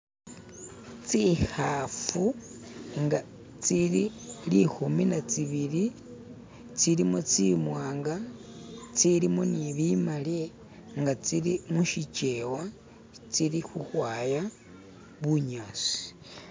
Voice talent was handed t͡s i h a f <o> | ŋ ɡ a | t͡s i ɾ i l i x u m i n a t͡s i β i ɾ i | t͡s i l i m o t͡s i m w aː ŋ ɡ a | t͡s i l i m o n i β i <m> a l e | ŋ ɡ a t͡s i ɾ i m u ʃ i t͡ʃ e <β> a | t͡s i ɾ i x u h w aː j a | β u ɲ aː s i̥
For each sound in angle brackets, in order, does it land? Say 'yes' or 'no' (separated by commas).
no, yes, no